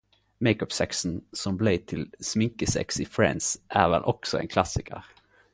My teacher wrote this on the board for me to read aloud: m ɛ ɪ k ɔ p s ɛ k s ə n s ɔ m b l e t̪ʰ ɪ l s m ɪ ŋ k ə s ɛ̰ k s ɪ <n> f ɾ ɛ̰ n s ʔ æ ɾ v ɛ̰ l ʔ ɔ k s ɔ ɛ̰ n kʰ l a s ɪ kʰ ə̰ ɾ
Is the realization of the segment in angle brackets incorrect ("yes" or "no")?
yes